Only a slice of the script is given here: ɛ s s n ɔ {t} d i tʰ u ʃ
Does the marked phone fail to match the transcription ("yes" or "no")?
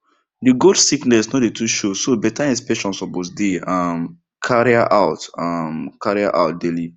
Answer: no